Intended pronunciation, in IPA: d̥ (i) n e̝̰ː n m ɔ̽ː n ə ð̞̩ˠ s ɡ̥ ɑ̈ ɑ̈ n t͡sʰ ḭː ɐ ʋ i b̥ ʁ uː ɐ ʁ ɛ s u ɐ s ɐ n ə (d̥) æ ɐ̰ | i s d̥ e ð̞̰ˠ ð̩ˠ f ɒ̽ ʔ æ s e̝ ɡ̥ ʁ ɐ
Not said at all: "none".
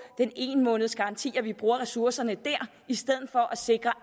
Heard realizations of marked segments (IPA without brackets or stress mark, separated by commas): e, d̥